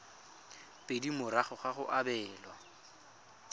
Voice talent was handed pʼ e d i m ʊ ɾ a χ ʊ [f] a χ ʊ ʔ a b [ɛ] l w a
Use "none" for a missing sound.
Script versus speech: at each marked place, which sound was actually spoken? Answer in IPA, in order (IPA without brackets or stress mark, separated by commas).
χ, ɛː